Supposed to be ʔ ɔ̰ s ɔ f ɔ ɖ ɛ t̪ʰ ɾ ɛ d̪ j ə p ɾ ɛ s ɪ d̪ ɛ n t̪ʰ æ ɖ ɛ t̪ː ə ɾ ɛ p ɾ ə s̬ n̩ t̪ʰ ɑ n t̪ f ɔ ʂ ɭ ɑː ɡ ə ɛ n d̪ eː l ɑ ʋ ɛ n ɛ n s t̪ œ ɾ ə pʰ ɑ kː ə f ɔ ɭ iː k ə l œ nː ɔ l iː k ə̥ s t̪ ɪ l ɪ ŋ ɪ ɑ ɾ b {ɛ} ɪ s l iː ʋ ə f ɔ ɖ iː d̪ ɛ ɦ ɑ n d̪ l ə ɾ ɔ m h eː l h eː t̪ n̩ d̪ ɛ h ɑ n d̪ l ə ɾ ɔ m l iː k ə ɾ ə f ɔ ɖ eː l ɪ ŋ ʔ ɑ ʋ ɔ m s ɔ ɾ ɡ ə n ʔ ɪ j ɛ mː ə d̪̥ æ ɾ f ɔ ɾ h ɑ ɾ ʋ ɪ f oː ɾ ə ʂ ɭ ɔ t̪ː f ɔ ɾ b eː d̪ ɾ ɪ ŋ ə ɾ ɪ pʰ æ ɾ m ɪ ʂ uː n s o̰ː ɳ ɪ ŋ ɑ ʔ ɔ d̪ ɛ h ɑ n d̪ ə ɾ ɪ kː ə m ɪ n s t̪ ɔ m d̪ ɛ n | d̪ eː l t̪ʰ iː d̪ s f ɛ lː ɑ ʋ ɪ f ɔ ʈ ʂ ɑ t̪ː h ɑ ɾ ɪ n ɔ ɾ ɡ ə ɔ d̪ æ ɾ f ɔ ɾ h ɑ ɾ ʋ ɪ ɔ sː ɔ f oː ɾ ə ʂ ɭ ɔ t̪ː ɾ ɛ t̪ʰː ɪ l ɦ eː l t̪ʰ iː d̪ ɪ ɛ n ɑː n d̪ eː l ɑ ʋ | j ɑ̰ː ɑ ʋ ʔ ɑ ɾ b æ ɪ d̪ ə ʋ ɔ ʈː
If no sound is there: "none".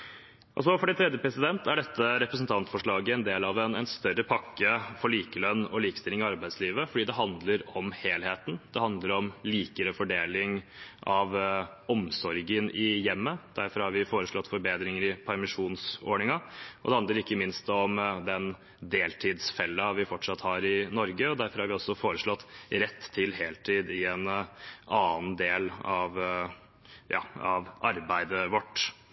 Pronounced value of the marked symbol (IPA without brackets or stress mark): æ